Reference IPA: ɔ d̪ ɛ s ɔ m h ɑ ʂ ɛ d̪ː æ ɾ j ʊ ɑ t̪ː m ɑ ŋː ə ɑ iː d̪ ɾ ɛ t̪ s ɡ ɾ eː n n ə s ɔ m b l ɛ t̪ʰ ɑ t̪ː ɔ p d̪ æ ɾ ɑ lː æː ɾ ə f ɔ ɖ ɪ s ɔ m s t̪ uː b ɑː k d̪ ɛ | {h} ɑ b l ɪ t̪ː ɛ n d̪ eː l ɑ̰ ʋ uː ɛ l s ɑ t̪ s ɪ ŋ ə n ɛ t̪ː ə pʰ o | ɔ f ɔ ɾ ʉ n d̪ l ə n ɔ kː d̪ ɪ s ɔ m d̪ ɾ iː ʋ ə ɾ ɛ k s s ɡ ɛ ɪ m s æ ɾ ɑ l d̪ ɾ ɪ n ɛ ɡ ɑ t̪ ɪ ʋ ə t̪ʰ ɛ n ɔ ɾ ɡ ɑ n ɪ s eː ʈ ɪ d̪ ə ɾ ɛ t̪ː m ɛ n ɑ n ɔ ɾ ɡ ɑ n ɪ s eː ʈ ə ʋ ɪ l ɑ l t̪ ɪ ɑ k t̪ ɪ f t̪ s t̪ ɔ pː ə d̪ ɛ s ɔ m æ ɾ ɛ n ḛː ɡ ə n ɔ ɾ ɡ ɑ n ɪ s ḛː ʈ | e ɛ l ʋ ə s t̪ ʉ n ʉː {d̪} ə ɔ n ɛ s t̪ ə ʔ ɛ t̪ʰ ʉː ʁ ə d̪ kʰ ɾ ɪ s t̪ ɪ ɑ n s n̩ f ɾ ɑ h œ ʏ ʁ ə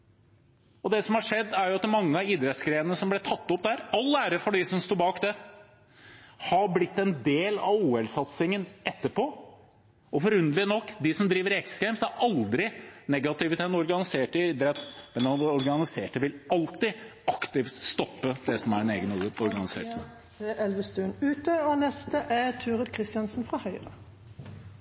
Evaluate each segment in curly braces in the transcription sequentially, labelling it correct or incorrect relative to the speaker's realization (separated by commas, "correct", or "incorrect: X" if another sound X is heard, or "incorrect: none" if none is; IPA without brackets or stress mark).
correct, incorrect: t̪